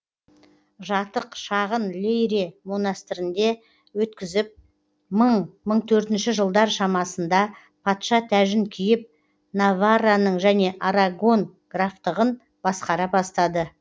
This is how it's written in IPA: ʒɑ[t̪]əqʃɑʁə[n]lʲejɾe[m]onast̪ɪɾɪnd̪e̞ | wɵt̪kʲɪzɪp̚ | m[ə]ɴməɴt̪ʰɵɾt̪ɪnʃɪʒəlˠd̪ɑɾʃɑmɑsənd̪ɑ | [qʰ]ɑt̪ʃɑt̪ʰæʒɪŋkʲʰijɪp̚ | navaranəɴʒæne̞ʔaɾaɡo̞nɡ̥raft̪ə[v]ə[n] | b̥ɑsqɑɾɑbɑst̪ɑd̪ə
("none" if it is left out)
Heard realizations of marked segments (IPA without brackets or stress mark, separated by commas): t̪, n, m, ə, pʰ, ʁ, n